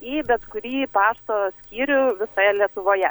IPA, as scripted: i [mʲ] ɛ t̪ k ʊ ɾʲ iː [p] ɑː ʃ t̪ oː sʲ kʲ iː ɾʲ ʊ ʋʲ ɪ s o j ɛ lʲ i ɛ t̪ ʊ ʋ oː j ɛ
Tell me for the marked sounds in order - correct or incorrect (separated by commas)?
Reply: incorrect, correct